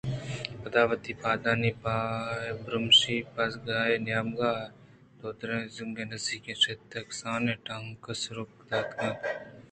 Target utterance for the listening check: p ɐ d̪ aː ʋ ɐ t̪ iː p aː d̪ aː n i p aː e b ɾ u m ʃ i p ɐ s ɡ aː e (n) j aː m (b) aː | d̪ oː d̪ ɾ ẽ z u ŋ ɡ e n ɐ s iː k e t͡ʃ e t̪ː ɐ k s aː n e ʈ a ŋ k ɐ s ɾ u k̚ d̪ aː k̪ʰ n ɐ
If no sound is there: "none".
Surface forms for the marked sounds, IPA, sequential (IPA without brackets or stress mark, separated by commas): n, ɡ